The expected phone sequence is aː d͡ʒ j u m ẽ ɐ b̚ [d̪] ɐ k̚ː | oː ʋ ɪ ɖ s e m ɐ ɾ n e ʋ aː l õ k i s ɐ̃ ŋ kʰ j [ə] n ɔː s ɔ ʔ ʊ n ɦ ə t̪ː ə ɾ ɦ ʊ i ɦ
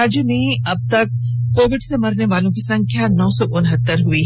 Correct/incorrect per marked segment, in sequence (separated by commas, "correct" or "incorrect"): incorrect, incorrect